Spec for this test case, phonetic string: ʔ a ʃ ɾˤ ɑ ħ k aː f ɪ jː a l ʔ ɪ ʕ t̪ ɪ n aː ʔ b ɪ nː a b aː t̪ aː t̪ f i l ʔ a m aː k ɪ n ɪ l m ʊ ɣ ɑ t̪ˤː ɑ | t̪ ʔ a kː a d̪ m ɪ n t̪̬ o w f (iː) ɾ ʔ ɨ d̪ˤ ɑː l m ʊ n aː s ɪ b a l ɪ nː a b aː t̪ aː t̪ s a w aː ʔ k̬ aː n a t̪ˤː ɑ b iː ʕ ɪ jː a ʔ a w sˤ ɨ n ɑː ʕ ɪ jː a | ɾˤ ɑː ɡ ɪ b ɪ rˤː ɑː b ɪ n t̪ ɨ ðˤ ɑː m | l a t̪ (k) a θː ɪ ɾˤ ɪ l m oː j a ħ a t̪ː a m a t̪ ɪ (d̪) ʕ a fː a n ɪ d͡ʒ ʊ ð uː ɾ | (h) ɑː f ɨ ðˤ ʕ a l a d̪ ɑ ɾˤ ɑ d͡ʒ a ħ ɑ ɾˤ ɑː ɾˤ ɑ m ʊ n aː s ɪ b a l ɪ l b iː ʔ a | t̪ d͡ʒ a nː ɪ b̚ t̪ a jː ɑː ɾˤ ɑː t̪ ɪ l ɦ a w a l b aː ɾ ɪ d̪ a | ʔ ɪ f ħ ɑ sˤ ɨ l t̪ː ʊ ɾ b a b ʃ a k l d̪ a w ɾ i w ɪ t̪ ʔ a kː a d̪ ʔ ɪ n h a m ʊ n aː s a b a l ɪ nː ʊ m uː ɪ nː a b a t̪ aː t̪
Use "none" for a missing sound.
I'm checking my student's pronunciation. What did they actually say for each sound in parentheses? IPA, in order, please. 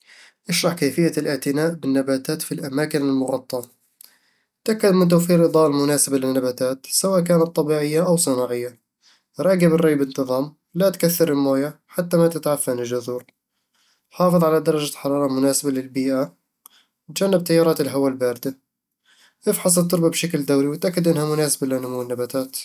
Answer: iː, k, t̪, ħ

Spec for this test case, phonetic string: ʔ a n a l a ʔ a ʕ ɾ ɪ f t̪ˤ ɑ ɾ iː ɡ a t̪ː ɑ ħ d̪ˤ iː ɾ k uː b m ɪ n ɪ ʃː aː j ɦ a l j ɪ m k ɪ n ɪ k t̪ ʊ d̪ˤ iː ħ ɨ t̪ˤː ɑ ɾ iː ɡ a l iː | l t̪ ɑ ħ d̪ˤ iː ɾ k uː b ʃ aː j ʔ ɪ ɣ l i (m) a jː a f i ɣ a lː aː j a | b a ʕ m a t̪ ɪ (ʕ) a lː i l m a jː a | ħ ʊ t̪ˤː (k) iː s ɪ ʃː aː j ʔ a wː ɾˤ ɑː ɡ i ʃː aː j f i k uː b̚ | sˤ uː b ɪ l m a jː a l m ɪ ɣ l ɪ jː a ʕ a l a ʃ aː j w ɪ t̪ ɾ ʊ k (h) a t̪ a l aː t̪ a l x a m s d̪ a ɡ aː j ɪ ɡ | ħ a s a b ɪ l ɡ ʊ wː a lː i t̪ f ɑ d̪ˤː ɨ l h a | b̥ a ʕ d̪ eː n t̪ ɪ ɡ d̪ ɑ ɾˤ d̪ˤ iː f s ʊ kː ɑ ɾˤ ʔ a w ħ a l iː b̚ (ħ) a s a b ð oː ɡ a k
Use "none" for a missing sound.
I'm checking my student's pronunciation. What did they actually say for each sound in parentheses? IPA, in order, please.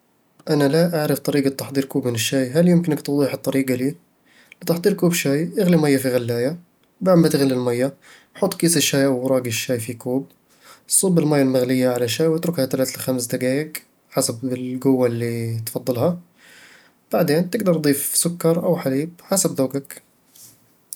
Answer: m, ɣ, k, h, ħ

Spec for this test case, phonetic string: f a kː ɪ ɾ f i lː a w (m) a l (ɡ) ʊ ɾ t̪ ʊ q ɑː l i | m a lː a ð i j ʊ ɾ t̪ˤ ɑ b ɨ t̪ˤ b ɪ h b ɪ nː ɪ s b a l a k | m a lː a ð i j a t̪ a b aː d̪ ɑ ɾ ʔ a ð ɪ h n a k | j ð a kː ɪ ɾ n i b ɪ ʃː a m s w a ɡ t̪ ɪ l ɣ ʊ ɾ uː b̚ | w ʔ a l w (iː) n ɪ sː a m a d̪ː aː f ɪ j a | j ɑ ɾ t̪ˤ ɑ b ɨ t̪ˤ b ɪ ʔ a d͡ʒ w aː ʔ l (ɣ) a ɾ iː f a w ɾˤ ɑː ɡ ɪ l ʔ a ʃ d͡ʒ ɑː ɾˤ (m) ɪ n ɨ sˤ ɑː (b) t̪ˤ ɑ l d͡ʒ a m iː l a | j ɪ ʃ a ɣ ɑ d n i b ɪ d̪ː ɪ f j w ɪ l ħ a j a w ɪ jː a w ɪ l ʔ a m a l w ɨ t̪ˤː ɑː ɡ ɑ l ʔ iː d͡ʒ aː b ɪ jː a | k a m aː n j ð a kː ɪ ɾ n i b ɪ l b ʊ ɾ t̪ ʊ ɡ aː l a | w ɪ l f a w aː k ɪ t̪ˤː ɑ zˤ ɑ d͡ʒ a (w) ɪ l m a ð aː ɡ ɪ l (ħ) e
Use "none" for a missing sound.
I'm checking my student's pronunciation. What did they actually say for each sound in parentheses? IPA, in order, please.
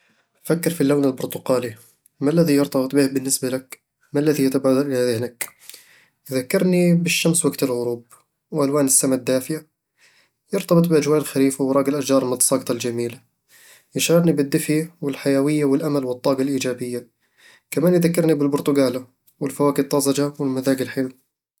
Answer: n, b, aː, x, m, ɡ, w, ħ

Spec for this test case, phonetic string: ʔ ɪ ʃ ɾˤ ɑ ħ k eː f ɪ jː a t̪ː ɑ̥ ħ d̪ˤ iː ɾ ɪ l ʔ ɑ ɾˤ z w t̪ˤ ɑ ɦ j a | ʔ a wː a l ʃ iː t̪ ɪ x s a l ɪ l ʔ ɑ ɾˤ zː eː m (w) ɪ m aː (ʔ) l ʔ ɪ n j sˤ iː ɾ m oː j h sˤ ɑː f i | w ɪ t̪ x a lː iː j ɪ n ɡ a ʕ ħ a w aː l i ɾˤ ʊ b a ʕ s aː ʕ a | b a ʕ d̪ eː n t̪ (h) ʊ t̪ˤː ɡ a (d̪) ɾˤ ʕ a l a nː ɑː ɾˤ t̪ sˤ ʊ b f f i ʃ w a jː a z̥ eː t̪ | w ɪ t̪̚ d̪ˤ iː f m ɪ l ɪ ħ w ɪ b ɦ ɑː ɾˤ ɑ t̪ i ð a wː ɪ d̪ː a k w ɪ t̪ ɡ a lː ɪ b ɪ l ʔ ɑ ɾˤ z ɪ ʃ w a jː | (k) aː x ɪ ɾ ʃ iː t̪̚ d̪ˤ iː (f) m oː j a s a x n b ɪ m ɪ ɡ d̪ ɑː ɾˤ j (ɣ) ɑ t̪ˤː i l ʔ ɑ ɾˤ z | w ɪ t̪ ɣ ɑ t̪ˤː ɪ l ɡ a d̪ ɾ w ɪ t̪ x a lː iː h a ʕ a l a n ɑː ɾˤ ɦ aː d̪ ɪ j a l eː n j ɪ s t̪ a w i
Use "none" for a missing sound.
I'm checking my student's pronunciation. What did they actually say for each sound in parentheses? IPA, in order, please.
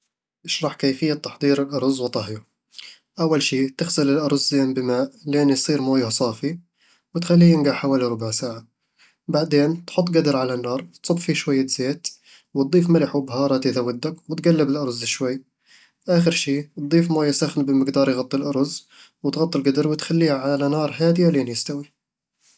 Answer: b, ʔ, ħ, d̪, ʔ, f, ɣ

